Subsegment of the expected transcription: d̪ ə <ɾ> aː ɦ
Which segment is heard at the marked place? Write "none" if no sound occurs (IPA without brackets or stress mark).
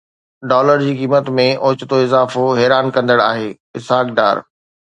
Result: ɽ